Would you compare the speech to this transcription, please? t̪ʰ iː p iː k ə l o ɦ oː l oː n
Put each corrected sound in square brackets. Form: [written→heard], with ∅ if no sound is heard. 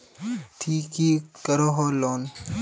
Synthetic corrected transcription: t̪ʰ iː [p→k] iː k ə [l→ɾ] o ɦ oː l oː n